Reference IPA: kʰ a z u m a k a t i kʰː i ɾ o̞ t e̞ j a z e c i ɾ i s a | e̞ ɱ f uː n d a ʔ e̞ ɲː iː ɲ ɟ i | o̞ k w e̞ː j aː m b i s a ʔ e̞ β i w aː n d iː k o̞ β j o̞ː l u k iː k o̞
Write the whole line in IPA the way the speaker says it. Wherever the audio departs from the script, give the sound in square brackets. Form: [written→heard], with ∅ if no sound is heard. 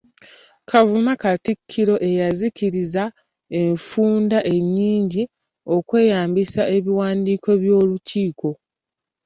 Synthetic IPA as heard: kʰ a [z→v] u m a k a t i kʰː i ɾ o̞ [t→ʔ] e̞ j a z [e→i] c i ɾ i [s→z] a | e̞ ɱ f uː n d a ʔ e̞ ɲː iː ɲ ɟ i | o̞ k w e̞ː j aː m b i s a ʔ e̞ β i w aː n d iː k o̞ β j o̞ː l u [k→c] iː k o̞